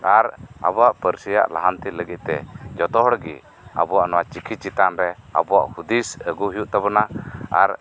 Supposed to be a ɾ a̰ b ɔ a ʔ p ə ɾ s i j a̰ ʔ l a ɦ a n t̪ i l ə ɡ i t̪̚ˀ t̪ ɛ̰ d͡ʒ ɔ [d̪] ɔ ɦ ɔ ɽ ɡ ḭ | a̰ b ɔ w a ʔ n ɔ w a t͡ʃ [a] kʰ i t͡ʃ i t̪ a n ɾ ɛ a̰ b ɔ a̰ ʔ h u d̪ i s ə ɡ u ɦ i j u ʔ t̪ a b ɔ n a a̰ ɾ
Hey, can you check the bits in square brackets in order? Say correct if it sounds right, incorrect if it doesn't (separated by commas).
incorrect, incorrect